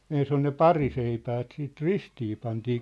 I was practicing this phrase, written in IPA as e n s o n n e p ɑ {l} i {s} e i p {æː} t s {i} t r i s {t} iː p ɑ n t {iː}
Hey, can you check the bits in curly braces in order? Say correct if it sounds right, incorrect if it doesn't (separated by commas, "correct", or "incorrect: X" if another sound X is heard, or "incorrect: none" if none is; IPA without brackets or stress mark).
incorrect: r, correct, correct, incorrect: iː, correct, correct